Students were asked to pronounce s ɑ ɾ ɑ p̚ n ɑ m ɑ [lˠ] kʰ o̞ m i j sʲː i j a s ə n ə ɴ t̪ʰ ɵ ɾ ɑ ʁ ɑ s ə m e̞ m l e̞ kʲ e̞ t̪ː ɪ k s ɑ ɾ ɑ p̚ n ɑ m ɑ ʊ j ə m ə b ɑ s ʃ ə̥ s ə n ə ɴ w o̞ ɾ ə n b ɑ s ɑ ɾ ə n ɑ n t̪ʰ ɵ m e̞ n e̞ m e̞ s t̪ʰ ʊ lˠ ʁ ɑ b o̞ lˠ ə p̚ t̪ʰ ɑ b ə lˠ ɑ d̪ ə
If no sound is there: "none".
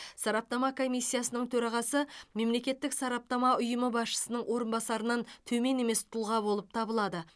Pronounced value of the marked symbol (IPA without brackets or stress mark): none